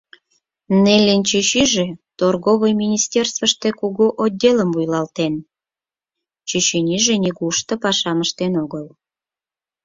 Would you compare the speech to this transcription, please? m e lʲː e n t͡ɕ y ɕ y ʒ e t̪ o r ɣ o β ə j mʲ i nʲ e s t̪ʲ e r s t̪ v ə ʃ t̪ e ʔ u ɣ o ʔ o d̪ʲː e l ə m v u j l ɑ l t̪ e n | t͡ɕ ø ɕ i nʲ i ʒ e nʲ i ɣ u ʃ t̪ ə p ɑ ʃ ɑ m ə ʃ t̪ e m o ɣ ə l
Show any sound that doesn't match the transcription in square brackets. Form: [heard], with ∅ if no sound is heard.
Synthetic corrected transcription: [n] e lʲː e n t͡ɕ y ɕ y ʒ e t̪ o r ɣ o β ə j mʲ i nʲ [i] s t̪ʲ e r s t̪ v ə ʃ t̪ e [k] u ɣ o ʔ o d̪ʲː e l ə m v u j l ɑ l t̪ e n | t͡ɕ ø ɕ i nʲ i ʒ e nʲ i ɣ u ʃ t̪ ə p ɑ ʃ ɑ m ə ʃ t̪ e [n] o ɣ ə l